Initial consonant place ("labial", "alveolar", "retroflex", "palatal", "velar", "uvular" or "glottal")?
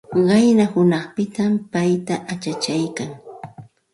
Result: uvular